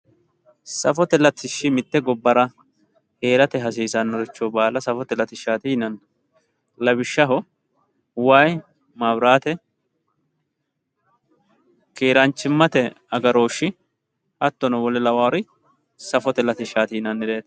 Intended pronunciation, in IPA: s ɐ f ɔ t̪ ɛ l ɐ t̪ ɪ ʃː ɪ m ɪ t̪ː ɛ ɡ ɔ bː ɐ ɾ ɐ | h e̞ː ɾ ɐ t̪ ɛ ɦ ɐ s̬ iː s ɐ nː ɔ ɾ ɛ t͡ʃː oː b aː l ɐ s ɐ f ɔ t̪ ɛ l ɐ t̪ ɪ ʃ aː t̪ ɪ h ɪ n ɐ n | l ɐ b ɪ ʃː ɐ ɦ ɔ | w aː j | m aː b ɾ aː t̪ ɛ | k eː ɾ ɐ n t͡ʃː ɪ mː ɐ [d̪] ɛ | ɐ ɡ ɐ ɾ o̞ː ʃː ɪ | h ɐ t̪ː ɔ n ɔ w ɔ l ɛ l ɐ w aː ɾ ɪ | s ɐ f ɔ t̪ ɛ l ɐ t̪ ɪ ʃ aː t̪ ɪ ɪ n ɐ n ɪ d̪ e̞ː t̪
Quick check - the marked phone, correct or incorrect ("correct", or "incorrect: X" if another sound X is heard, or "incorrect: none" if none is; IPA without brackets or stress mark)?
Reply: incorrect: t̪